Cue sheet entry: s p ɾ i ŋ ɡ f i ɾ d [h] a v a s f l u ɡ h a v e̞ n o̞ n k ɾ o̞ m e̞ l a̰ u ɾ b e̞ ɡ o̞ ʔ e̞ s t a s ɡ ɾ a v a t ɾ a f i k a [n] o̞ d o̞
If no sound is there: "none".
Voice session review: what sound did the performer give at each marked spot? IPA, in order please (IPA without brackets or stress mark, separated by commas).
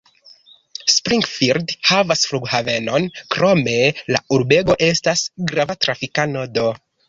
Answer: h, n